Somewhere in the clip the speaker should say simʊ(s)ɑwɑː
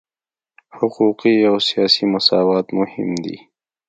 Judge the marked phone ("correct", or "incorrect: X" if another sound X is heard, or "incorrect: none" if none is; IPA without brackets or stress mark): correct